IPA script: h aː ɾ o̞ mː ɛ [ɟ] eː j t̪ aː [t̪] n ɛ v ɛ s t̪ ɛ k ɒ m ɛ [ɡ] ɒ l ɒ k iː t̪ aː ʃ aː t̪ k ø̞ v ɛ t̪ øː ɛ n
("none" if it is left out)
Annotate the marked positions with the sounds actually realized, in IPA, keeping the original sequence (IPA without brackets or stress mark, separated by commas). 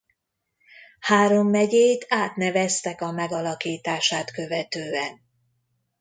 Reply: ɟ, t̪, ɡ